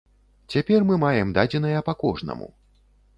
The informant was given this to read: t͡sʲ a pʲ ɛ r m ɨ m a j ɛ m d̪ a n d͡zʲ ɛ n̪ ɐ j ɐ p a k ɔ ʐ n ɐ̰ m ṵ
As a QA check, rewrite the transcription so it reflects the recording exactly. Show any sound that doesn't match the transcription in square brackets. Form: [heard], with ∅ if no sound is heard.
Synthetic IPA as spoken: t͡sʲ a pʲ ɛ r m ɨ m a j ɛ m d̪ a [∅] d͡zʲ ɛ n̪ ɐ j ɐ p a k ɔ ʐ n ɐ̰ m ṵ

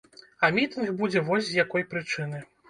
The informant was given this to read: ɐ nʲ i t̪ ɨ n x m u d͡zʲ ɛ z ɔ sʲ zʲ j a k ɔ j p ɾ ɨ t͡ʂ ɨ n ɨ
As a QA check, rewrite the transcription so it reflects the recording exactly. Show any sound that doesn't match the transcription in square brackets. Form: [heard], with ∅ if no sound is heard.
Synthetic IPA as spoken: ɐ [mʲ] i t̪ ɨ n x [b] u d͡zʲ ɛ [v] ɔ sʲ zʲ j a k ɔ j p ɾ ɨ t͡ʂ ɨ n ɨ

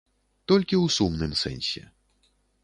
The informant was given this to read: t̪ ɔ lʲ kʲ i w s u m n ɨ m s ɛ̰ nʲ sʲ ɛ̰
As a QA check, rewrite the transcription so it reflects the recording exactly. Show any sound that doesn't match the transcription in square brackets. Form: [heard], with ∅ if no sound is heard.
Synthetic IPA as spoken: t̪ ɔ lʲ kʲ i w s u m n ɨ m s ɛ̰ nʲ sʲ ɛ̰

